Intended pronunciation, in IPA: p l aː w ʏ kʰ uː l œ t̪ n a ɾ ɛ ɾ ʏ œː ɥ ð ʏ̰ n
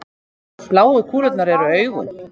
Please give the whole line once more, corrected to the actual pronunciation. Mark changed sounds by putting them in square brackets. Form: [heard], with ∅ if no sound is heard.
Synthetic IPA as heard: p l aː w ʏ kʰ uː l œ t̪ n a ɾ ɛ ɾ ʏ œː ɥ [ɣ] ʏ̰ n